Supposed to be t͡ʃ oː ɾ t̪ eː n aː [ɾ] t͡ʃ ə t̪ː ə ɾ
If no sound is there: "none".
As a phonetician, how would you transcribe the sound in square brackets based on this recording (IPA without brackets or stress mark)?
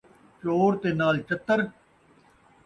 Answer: l